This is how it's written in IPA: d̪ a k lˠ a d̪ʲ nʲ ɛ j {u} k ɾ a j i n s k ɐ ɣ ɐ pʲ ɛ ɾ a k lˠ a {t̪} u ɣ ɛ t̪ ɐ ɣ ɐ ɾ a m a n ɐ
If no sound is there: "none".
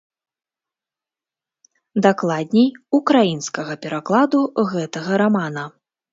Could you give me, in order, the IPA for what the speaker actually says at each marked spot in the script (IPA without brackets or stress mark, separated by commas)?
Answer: u, d̪